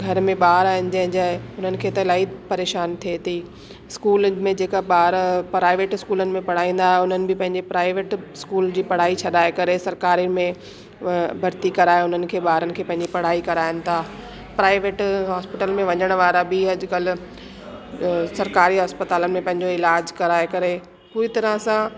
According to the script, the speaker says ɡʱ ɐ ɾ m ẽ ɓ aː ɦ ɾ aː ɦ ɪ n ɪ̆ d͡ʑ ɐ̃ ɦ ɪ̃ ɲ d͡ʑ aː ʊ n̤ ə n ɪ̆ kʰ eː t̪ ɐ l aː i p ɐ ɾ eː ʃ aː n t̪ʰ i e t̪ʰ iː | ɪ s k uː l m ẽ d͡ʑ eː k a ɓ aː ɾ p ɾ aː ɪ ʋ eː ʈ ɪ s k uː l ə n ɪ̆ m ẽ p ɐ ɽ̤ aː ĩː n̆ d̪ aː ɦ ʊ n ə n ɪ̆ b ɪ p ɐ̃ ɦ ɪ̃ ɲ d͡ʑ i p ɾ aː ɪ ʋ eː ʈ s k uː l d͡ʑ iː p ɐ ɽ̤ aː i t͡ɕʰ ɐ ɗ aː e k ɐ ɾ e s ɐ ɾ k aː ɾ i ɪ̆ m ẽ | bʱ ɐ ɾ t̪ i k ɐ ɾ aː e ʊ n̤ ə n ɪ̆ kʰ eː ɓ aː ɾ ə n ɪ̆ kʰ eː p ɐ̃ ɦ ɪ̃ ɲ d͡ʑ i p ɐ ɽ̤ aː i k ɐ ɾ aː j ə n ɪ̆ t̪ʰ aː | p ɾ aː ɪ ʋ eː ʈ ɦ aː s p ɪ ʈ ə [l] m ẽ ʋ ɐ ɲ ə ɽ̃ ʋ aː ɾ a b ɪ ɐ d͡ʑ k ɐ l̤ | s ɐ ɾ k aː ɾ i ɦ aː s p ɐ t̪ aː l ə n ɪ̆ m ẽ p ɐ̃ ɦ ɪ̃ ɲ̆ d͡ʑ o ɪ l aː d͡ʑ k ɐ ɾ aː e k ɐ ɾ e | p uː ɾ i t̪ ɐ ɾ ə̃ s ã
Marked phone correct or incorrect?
correct